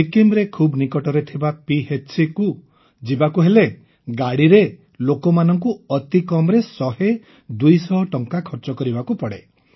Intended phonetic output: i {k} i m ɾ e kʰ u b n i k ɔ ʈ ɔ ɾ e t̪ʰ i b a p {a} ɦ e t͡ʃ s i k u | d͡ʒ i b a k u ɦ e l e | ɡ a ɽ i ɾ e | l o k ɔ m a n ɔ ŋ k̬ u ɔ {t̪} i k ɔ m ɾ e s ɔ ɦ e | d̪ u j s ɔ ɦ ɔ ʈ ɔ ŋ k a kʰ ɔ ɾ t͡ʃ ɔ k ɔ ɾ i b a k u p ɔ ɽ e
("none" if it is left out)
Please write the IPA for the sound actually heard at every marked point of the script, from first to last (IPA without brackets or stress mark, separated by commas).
k, i, t̪